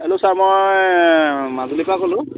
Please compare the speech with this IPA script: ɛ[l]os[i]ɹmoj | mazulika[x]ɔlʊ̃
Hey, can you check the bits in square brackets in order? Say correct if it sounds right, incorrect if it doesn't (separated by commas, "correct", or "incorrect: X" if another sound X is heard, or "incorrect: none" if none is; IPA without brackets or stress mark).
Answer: correct, incorrect: a, incorrect: k